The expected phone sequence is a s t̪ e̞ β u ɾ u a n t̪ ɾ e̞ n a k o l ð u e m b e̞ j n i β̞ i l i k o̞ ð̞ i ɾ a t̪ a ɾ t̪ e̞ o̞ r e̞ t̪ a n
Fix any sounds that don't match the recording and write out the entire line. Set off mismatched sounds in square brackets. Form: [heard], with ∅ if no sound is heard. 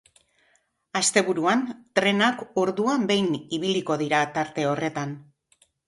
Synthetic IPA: a s t̪ e̞ β u ɾ u a n t̪ ɾ e̞ n a k o [ɾ] ð u [a] m b e̞ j n i β̞ i l i k o̞ ð̞ i ɾ a t̪ a ɾ t̪ e̞ o̞ r e̞ t̪ a n